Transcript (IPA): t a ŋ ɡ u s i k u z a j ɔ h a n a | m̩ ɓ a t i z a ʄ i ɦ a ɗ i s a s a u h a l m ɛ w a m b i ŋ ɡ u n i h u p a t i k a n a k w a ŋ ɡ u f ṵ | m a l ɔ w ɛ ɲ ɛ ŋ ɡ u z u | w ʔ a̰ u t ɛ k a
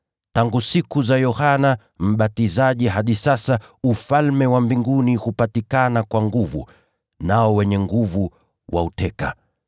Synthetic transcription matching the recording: t a ŋ ɡ u s i k u z a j ɔ h a n a | m̩ ɓ a t i z a ʄ i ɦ a ɗ i s a s a u f a l m ɛ w a m b i ŋ ɡ u n i h u p a t i k a n a k w a ŋ ɡ u v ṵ | n a ɔ w ɛ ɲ ɛ ŋ ɡ u v u | w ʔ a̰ u t ɛ k a

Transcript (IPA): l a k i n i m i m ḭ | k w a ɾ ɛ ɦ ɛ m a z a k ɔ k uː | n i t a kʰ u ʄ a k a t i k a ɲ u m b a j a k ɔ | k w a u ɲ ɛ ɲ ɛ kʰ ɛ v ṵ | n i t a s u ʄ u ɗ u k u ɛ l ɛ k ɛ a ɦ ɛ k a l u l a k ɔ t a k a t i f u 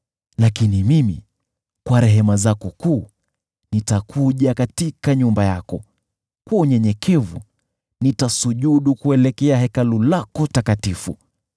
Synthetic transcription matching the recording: l a k i n i m i m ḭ | k w a ɾ ɛ ɦ ɛ m a z a k ɔ k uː | n i t a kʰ u ʄ a k a t i k a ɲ u m b a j a k ɔ | k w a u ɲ ɛ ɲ ɛ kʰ ɛ v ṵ | n i t a s u ʄ u ɗ u k u ɛ l ɛ k ɛ a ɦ ɛ k a l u l a k ɔ t a k a t i f u

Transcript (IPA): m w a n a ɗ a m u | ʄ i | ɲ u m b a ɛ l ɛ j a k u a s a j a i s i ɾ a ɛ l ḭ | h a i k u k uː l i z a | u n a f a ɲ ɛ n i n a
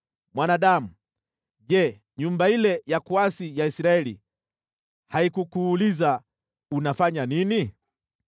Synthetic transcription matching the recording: m w a n a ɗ a m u | ʄ ɛ | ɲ u m b a i l ɛ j a k u a s i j a i s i ɾ a ɛ l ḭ | h a i k u k uː l i z a | u n a f a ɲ a n i n i

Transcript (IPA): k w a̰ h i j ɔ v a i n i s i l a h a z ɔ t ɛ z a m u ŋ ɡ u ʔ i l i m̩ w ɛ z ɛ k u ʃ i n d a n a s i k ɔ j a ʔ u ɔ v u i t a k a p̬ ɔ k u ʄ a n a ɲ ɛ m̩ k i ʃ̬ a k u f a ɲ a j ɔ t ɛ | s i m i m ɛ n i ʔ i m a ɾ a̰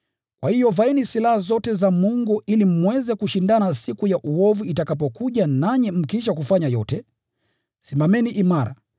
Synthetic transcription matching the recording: k w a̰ h i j ɔ v a i n i s i l a h a z ɔ t ɛ z a m u ŋ ɡ u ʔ i l i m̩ w ɛ z ɛ k u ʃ i n d a n a s i k u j a ʔ u ɔ v u i t a k a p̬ ɔ k u ʄ a n a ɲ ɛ m̩ k i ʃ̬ a k u f a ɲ a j ɔ t ɛ | s i m a m ɛ n i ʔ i m a ɾ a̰

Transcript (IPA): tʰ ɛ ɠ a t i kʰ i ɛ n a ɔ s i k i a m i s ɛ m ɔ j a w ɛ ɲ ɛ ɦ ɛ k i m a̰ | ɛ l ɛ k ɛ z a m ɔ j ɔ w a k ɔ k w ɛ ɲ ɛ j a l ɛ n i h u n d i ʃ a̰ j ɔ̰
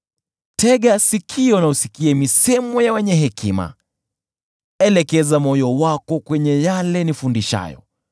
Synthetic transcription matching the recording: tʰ ɛ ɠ a s i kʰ i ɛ n a u s i k i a m i s ɛ m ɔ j a w ɛ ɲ ɛ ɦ ɛ k i m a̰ | ɛ l ɛ k ɛ z a m ɔ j ɔ w a k ɔ k w ɛ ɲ ɛ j a l ɛ n i f u n d i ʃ a̰ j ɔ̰

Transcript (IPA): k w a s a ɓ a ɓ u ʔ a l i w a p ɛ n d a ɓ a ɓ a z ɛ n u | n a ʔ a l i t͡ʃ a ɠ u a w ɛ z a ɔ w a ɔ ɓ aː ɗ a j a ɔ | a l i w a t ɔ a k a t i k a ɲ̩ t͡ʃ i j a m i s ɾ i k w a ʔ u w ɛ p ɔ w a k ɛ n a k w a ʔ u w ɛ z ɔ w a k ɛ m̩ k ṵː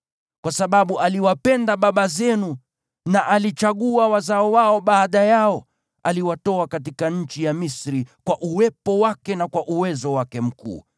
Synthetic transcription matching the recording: k w a s a ɓ a ɓ u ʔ a l i w a p ɛ n d a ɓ a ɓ a z ɛ n u | n a ʔ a l i t͡ʃ a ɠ u a w a z a ɔ w a ɔ ɓ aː ɗ a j a ɔ | a l i w a t ɔ a k a t i k a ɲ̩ t͡ʃ i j a m i s ɾ i k w a ʔ u w ɛ p ɔ w a k ɛ n a k w a ʔ u w ɛ z ɔ w a k ɛ m̩ k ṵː

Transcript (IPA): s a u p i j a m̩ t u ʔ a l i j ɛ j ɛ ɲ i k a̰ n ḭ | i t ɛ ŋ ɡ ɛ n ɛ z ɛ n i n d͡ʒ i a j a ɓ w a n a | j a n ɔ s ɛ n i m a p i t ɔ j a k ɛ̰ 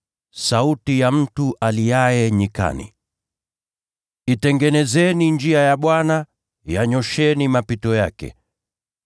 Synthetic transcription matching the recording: s a u t i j a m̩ t u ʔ a l i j a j ɛ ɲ i k a̰ n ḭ | i t ɛ ŋ ɡ ɛ n ɛ z ɛ n i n d͡ʒ i a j a ɓ w a n a | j a ɲ ɔ ʃ ɛ n i m a p i t ɔ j a k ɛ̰

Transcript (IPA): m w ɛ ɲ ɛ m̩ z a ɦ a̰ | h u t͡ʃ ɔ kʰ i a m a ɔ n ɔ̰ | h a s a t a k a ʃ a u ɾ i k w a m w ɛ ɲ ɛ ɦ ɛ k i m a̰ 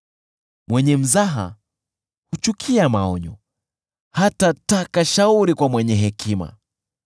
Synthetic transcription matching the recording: m w ɛ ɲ ɛ m̩ z a ɦ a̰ | h u t͡ʃ u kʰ i a m a ɔ ɲ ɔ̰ | h a t a t a k a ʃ a u ɾ i k w a m w ɛ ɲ ɛ ɦ ɛ k i m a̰

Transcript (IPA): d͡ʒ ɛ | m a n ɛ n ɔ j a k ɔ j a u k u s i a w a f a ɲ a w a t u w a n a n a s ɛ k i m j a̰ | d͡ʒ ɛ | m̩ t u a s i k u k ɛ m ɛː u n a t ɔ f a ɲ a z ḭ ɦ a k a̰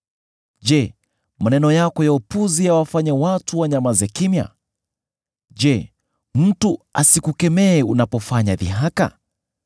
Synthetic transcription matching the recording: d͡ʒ ɛ | m a n ɛ n ɔ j a k ɔ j a u p u z i a w a f a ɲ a w a t u w a ɲ a m a z ɛ k i m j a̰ | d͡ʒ ɛ | m̩ t u a s i k u k ɛ m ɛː u n a p ɔ f a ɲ a ð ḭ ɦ a k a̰

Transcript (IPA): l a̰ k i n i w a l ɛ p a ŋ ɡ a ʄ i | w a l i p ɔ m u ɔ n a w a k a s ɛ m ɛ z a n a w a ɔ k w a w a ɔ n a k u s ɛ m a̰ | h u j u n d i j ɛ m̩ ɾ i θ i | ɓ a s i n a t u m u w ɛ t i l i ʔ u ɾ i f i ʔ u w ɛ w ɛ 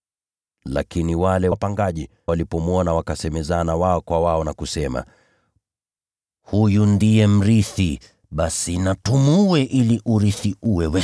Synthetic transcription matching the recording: l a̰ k i n i w a l ɛ p a ŋ ɡ a ʄ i | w a l i p ɔ m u ɔ n a w a k a s ɛ m ɛ z a n a w a ɔ k w a w a ɔ n a k u s ɛ m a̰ | h u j u n d i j ɛ m̩ ɾ i θ i | ɓ a s i n a t u m u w ɛ ʔ i l i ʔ u ɾ i θ i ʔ u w ɛ w ɛ

